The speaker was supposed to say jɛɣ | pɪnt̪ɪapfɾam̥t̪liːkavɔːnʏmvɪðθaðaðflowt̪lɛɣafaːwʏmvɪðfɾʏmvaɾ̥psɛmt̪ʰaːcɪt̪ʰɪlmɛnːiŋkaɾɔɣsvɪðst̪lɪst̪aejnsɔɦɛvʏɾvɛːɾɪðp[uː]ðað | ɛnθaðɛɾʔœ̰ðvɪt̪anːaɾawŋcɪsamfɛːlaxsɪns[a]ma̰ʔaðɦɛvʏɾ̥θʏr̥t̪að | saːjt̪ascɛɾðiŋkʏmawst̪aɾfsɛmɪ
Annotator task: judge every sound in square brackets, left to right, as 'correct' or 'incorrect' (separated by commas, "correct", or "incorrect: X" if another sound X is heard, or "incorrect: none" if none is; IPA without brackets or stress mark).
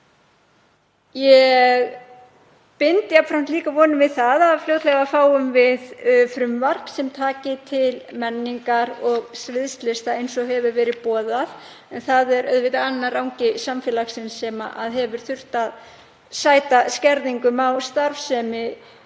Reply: incorrect: ɔː, incorrect: ɛ